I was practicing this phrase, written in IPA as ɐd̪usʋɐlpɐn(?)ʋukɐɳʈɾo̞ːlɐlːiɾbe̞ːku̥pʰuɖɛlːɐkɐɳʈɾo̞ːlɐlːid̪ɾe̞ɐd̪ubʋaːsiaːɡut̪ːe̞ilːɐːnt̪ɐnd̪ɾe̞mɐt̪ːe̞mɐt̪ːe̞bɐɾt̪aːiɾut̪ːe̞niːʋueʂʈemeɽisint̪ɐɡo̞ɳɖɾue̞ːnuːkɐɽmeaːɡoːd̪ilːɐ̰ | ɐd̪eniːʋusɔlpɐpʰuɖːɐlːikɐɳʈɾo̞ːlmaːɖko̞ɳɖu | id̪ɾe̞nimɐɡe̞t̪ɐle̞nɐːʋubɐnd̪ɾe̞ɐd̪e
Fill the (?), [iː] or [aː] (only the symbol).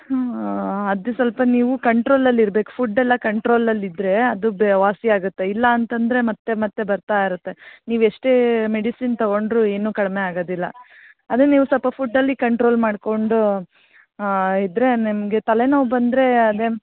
iː